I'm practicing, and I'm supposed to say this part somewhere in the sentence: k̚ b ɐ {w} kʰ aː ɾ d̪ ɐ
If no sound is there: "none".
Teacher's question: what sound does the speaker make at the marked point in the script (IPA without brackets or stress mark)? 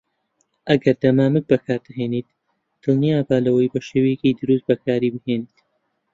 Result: none